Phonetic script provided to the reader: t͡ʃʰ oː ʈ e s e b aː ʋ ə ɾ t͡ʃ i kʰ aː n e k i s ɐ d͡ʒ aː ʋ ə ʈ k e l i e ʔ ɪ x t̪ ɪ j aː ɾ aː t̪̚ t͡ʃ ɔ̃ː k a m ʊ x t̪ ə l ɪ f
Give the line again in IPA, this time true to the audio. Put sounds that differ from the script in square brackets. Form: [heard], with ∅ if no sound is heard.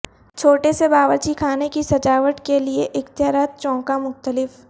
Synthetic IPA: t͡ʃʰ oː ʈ e s e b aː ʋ ə ɾ t͡ʃ i kʰ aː n e k i s ɐ d͡ʒ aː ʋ ə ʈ k e l i e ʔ ɪ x t̪ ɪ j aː ɾ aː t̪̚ t͡ʃ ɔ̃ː k a m ʊ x t̪ ə l ɪ f